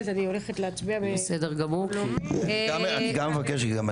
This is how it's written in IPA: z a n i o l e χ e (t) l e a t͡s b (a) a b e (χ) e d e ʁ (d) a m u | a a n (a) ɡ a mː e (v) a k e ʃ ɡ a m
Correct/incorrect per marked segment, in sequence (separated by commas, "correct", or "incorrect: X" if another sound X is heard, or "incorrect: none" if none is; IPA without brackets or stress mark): correct, incorrect: i, incorrect: s, incorrect: ɡ, incorrect: i, correct